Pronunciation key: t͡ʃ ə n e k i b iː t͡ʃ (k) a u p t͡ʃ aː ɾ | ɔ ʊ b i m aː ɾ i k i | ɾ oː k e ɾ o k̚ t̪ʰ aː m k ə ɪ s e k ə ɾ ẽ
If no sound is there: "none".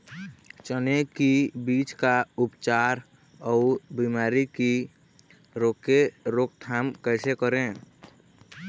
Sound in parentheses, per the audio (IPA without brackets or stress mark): k